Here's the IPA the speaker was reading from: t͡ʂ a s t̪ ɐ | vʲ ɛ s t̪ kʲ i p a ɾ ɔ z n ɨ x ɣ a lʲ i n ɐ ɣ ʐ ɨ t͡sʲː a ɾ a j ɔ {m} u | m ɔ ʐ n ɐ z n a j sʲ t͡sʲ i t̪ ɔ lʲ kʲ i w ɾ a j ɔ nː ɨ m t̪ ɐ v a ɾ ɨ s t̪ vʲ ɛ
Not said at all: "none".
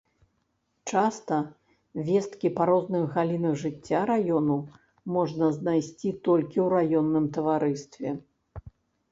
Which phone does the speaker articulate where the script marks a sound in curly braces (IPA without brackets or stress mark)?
n